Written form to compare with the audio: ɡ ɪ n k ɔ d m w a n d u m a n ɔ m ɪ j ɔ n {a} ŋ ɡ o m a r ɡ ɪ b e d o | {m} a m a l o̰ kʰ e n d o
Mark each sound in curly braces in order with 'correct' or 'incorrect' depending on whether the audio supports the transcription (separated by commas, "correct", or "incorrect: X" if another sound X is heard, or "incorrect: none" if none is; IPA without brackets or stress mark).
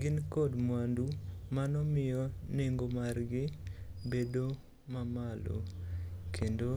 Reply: incorrect: e, correct